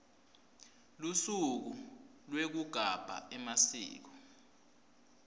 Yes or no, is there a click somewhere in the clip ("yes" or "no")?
no